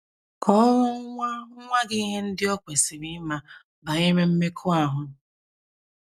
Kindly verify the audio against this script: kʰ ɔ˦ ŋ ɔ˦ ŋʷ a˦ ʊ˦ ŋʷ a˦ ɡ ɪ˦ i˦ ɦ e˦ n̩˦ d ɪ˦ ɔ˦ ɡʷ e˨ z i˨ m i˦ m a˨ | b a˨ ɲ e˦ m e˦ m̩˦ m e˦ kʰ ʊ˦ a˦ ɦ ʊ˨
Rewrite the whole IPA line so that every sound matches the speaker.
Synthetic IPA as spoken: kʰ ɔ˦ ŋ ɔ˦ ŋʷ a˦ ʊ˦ ŋʷ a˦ ɡ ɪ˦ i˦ ɦ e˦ n̩˦ d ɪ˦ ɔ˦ kʷ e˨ s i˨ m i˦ m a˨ | b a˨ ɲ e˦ m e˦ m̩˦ m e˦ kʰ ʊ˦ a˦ ɦ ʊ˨